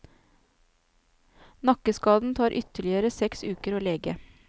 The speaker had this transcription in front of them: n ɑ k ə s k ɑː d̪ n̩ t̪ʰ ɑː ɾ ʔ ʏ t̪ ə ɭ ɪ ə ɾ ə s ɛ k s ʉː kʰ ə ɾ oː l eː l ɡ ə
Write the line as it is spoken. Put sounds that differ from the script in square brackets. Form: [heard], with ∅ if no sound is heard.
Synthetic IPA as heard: n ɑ k ə s k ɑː d̪ n̩ t̪ʰ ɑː ɾ ʔ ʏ t̪ ə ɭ ɪ ə ɾ ə s ɛ k s ʉː [k] ə ɾ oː l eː [∅] ɡ ə